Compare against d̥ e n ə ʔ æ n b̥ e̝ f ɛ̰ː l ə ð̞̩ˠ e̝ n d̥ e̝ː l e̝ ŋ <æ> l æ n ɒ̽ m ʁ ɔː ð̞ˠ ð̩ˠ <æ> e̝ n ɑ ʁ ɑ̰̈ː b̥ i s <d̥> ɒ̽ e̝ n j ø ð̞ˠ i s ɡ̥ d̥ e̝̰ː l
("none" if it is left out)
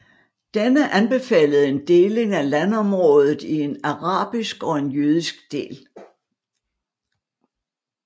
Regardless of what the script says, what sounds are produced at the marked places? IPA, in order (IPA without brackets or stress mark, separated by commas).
æ, i, ɡ̥